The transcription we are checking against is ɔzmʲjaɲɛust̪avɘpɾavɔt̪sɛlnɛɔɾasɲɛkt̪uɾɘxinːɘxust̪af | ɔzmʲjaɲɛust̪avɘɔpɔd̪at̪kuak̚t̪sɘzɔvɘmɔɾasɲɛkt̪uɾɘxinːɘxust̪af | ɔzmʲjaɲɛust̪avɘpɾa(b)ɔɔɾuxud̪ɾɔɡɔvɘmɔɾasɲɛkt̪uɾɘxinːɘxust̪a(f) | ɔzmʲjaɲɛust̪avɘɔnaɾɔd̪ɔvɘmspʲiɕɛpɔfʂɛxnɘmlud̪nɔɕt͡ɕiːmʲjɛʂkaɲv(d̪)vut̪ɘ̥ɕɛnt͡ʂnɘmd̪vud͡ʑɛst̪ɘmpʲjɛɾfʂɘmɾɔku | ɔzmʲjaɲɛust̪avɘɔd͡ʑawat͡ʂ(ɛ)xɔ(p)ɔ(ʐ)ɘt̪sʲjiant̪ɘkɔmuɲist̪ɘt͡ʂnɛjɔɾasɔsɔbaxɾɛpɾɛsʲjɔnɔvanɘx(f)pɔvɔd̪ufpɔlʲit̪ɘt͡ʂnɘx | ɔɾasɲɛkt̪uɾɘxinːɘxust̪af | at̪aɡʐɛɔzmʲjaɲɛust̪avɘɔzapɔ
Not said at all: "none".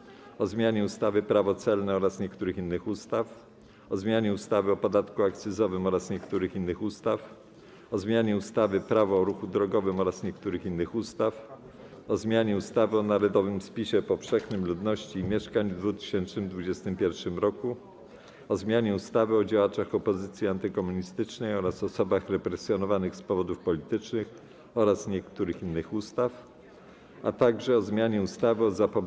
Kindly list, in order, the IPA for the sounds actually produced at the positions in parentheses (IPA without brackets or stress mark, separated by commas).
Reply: v, f, d̪, a, p, z, s